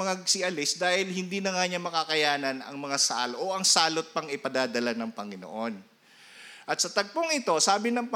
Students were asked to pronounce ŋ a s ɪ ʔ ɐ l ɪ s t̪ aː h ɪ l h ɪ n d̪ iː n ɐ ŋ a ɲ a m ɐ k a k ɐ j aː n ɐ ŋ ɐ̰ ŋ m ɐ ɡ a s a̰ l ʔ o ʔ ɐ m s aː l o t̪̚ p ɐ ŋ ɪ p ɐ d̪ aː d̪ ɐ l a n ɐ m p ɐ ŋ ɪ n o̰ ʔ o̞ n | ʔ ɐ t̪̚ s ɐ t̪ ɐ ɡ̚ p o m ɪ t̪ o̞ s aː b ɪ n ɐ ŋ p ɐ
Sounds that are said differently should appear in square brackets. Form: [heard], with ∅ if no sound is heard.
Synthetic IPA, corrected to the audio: ŋ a s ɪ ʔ ɐ l ɪ s [d̪] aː h ɪ l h ɪ n d̪ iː n ɐ ŋ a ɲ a m ɐ k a k ɐ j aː n ɐ [n] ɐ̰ ŋ m ɐ [ŋ] a s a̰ l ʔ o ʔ ɐ [ŋ] s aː l o t̪̚ p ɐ ŋ ɪ p ɐ d̪ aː d̪ ɐ l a n ɐ [ŋ] p ɐ ŋ ɪ n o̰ ʔ o̞ n | ʔ ɐ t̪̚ s ɐ t̪ ɐ ɡ̚ p o [ŋ] ɪ t̪ o̞ s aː b ɪ n ɐ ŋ p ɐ